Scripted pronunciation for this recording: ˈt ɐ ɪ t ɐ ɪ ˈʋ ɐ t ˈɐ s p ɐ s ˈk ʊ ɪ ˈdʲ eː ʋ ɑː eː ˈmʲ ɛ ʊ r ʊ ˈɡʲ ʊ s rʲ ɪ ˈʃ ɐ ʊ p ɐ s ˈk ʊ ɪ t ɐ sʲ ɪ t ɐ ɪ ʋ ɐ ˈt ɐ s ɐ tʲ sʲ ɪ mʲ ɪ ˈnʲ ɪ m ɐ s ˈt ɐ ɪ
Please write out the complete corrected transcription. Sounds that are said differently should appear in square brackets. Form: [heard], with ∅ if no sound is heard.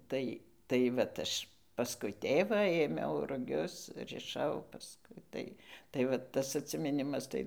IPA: ˈt ɐ ɪ t ɐ ɪ ˈʋ ɐ t ˈɐ [ʃ] p ɐ s ˈk ʊ ɪ [ˈtʲ] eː ʋ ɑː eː ˈmʲ ɛ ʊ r ʊ ˈɡʲ ʊ s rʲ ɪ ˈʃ ɐ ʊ p ɐ s ˈk ʊ ɪ t ɐ [∅] ɪ t ɐ ɪ ʋ ɐ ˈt ɐ s ɐ tʲ sʲ ɪ mʲ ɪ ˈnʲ ɪ m ɐ s ˈt ɐ ɪ